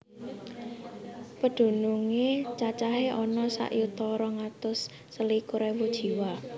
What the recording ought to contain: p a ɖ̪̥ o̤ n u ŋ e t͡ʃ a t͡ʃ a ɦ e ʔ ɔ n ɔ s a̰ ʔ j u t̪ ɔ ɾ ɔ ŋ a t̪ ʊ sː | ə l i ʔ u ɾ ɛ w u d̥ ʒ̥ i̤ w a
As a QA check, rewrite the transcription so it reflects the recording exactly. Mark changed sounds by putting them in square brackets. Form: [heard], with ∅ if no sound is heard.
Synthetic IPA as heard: p [ə] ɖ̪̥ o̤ n u ŋ e t͡ʃ a t͡ʃ a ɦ e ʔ ɔ n ɔ s a̰ ʔ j u t̪ ɔ ɾ ɔ ŋ a t̪ ʊ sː | ə l i [k] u ɾ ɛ w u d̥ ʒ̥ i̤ w a